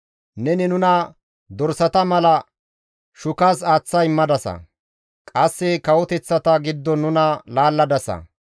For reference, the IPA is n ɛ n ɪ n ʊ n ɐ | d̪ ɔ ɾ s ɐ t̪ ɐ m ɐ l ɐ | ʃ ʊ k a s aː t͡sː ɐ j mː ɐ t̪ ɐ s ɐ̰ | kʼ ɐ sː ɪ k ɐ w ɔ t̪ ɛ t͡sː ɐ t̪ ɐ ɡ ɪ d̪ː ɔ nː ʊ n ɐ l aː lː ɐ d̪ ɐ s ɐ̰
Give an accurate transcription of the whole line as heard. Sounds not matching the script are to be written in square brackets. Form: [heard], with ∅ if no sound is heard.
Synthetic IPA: n ɛ n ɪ n ʊ n ɐ | d̪ ɔ ɾ s ɐ t̪ ɐ m ɐ l ɐ | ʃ ʊ k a s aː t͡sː ɐ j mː ɐ [d̪] ɐ s ɐ̰ | kʼ ɐ sː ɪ k ɐ w ɔ t̪ ɛ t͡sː ɐ t̪ ɐ ɡ ɪ d̪ː ɔ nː ʊ n ɐ l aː lː ɐ d̪ ɐ s ɐ̰